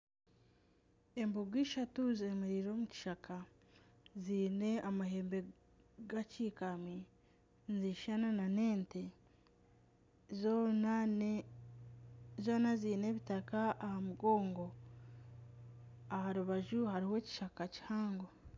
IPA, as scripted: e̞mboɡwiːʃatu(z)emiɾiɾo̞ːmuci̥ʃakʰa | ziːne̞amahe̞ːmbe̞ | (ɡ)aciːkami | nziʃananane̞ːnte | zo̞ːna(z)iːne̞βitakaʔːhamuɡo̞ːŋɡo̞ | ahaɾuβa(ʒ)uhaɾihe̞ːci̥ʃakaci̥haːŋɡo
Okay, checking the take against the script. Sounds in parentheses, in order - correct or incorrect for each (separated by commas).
correct, correct, correct, correct